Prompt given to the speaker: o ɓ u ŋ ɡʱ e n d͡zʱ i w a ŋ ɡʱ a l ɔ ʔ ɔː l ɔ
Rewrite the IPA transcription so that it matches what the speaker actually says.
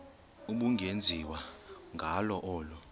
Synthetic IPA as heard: u ɓ u ŋ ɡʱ e n d͡zʱ i w a ŋ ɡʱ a l ɔ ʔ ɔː l ɔ